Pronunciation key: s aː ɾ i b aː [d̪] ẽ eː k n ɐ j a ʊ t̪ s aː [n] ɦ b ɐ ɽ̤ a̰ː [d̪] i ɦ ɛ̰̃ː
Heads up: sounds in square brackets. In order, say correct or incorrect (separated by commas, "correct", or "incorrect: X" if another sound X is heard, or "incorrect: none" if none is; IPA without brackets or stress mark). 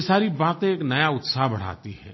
incorrect: t̪, incorrect: none, incorrect: t̪